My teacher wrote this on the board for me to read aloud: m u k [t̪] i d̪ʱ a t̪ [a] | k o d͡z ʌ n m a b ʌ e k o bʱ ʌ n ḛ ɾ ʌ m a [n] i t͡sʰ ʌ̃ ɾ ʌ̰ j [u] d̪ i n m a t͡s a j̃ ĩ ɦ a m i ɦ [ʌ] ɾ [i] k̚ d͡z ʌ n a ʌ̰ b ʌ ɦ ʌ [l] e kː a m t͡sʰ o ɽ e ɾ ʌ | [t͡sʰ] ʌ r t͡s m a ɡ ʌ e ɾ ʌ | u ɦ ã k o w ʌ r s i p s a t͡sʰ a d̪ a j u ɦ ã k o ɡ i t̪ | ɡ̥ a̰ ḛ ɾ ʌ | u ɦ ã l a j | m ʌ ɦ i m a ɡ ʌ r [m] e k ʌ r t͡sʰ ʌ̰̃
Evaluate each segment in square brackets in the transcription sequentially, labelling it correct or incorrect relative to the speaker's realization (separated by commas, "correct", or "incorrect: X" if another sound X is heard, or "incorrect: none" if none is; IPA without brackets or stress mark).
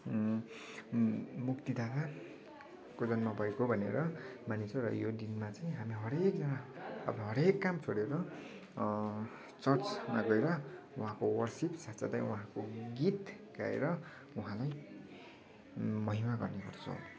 correct, correct, correct, incorrect: o, correct, incorrect: e, incorrect: ɾ, incorrect: t͡s, incorrect: n